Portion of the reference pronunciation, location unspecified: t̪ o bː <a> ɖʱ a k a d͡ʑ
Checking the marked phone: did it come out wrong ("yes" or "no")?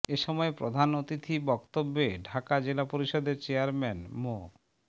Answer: yes